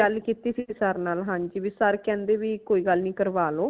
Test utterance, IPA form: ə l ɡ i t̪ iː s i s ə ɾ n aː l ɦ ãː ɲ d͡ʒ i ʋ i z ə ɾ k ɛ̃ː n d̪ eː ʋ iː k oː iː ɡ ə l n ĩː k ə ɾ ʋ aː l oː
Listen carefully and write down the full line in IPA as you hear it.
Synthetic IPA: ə l k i t̪ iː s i s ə ɾ n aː l ɦ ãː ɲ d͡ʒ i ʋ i s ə ɾ k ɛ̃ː n d̪ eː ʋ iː k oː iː ɡ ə l n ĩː k ə ɾ ʋ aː l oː